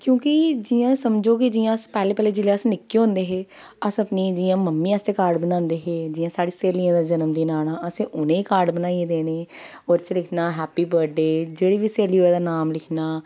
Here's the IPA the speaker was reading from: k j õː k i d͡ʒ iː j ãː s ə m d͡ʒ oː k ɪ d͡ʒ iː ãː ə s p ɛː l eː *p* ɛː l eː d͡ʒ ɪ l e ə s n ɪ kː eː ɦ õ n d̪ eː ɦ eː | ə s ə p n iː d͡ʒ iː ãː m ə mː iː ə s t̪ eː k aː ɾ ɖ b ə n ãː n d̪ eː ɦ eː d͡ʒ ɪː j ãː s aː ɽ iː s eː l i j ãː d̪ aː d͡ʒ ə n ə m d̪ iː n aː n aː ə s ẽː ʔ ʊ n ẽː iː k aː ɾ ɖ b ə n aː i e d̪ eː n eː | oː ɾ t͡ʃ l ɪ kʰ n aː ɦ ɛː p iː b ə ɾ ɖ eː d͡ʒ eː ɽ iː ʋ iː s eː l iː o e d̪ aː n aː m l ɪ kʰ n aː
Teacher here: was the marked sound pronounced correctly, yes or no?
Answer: yes